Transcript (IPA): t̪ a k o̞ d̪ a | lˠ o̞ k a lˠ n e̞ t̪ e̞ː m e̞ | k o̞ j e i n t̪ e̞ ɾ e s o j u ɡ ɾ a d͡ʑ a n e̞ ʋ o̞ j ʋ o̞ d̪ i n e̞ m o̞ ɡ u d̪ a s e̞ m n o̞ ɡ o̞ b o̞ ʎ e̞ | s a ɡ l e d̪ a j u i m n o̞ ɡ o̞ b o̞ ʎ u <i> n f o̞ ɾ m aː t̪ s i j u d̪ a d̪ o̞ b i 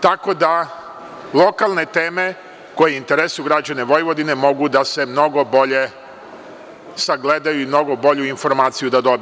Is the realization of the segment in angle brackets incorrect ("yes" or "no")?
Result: no